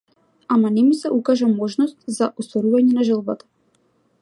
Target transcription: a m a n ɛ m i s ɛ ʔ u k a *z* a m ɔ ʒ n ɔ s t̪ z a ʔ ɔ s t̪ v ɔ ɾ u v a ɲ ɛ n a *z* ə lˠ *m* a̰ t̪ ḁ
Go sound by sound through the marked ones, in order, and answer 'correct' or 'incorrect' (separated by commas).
incorrect, incorrect, incorrect